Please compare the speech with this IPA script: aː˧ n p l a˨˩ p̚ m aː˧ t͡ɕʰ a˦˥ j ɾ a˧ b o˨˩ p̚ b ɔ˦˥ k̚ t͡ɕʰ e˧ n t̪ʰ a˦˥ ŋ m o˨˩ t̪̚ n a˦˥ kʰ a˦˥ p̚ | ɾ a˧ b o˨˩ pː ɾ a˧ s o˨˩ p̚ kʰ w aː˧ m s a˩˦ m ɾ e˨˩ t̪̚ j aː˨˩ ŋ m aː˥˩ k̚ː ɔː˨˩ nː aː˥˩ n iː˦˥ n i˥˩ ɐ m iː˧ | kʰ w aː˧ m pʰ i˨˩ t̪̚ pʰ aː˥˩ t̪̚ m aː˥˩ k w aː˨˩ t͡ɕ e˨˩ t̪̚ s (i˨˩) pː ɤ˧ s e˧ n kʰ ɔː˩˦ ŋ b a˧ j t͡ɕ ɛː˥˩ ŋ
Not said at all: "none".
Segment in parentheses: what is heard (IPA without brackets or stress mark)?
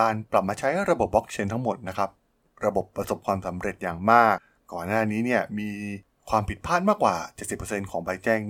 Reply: i˨˩